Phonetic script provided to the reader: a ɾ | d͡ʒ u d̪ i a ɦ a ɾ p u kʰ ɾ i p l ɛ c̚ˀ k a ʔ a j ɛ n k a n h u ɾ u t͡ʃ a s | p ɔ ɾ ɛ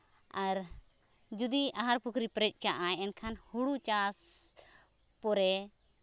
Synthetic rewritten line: a ɾ | d͡ʒ u d̪ i a ɦ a ɾ p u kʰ ɾ i p ɾ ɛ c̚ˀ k a ʔ a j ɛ n kʰ a n h u ɽ u t͡ʃ a s | p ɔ ɾ ɛ